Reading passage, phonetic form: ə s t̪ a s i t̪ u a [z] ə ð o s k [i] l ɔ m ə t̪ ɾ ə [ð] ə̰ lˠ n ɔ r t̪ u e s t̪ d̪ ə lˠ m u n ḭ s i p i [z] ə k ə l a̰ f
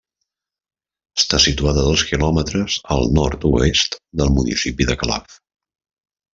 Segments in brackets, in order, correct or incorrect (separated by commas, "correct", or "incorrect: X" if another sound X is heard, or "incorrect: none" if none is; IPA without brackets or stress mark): incorrect: ð, correct, incorrect: z, incorrect: ð